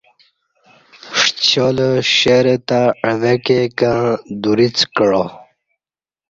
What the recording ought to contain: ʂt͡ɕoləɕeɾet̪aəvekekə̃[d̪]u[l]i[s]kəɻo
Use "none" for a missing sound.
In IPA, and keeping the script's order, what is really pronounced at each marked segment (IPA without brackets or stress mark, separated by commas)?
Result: d̪, ɾ, t͡s